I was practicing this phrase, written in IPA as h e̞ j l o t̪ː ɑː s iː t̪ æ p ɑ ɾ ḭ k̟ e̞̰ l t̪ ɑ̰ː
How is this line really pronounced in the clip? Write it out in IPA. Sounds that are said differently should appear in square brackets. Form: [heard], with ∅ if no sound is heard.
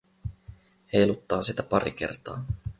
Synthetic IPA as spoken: h e̞ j l [u] t̪ː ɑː s [i] t̪ æ p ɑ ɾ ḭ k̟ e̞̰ [r] t̪ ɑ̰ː